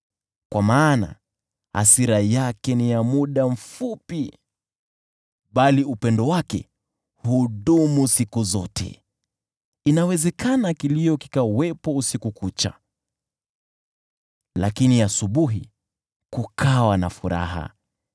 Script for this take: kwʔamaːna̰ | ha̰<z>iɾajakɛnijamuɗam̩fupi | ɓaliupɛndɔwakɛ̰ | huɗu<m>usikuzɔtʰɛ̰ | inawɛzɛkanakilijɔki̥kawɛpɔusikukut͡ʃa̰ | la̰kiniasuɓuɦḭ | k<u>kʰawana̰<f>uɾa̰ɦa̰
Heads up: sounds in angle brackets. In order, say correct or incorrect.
incorrect: s, correct, correct, correct

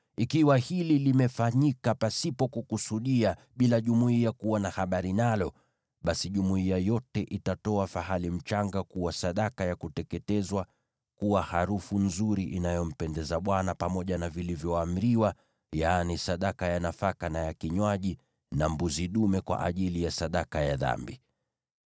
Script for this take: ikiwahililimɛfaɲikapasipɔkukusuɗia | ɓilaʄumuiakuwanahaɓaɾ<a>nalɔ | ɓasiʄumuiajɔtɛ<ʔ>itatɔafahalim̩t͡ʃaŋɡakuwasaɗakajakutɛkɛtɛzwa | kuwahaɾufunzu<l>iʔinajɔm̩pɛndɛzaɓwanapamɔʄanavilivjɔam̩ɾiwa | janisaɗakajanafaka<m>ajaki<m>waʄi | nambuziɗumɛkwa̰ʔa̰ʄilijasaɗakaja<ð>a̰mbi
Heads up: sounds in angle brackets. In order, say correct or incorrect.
incorrect: i, correct, incorrect: ɾ, incorrect: n, incorrect: ɲ, correct

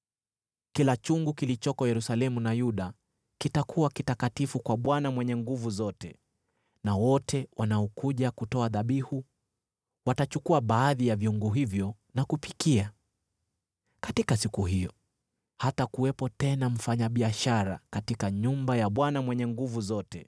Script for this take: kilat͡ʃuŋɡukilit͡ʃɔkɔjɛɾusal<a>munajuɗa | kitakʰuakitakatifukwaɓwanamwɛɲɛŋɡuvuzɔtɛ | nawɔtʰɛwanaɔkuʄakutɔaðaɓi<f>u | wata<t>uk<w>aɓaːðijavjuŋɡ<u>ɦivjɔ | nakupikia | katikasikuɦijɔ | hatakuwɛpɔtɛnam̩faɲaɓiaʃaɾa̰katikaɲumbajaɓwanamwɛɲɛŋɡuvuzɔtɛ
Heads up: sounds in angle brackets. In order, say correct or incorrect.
incorrect: ɛ, incorrect: h, incorrect: t͡ʃ, incorrect: u, correct

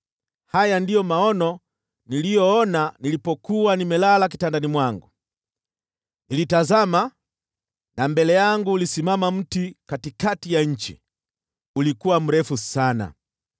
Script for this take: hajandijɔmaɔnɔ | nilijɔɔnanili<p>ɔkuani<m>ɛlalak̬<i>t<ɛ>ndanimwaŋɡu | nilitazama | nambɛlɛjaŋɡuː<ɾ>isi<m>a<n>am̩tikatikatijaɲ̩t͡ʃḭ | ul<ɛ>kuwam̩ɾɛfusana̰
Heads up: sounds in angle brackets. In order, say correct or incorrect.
correct, correct, correct, incorrect: a, incorrect: l, correct, incorrect: m, incorrect: i

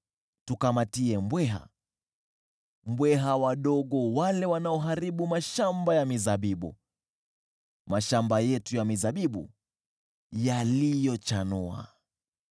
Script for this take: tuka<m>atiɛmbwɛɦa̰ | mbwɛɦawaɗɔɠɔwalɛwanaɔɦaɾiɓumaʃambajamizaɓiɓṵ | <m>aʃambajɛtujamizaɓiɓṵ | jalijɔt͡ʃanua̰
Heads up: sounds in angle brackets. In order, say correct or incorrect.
correct, correct

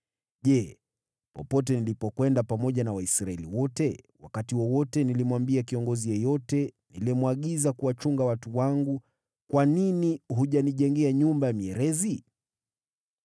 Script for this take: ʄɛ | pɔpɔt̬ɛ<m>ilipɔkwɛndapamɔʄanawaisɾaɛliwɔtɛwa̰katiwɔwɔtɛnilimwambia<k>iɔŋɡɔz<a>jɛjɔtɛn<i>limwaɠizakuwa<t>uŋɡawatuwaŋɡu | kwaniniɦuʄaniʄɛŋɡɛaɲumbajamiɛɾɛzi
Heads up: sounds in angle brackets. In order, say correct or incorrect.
incorrect: n, correct, incorrect: i, correct, incorrect: t͡ʃ

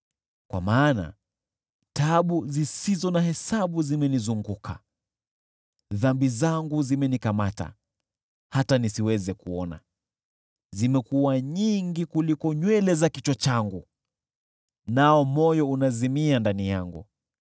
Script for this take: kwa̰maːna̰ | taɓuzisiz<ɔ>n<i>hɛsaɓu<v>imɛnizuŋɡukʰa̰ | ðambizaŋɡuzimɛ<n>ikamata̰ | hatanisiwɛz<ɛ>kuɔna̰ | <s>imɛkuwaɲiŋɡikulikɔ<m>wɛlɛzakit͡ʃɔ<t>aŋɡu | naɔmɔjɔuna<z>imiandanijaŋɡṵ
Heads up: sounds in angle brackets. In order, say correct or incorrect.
correct, incorrect: a, incorrect: z, correct, correct, incorrect: z, incorrect: ɲ, incorrect: t͡ʃ, correct

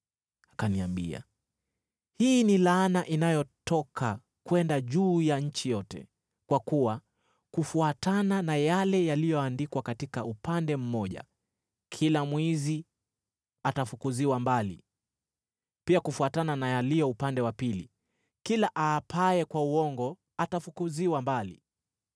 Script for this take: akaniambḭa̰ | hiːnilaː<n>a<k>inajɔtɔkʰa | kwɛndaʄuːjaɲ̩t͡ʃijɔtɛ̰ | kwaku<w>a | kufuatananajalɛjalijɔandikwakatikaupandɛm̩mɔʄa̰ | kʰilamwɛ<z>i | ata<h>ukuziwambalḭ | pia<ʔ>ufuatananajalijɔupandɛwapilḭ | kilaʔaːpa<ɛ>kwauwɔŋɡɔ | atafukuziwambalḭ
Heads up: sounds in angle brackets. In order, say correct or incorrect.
correct, incorrect: ʔ, correct, correct, incorrect: f, incorrect: k, correct

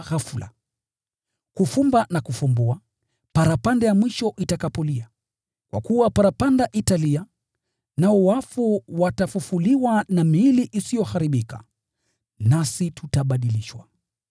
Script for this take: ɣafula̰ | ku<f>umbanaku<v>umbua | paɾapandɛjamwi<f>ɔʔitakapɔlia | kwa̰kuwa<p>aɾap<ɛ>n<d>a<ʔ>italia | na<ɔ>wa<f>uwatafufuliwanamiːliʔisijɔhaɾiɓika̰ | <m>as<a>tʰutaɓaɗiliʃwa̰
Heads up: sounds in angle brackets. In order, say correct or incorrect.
correct, incorrect: f, incorrect: ʃ, correct, incorrect: a, correct, correct, correct, correct, incorrect: n, incorrect: i

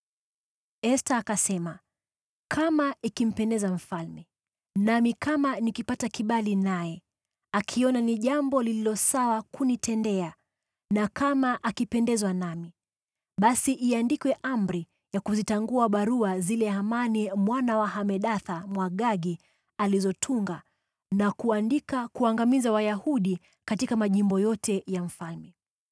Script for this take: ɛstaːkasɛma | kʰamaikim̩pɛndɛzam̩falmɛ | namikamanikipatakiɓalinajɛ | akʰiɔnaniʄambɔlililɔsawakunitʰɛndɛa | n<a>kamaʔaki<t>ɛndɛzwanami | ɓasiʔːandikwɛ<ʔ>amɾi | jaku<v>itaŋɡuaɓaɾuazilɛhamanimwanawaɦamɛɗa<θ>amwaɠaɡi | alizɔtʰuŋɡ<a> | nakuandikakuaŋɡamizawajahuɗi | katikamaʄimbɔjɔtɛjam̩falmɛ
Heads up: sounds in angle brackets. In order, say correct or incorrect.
correct, incorrect: p, correct, incorrect: z, correct, correct

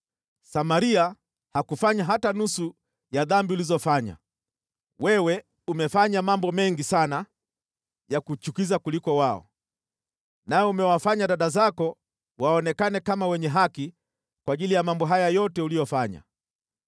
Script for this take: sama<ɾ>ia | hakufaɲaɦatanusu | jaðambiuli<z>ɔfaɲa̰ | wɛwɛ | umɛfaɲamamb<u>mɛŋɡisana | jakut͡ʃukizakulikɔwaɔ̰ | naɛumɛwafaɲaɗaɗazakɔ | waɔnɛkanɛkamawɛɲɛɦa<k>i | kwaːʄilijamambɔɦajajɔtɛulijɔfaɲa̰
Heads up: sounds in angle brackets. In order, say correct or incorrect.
correct, correct, incorrect: ɔ, correct

